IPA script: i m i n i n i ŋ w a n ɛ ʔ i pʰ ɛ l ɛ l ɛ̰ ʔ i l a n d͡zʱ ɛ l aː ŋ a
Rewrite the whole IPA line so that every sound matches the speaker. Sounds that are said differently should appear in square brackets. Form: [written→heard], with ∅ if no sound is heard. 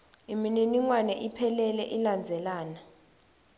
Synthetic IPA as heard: i m i n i n i ŋ w a n ɛ ʔ i pʰ ɛ l ɛ l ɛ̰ ʔ i l a n d͡zʱ ɛ l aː [ŋ→n] a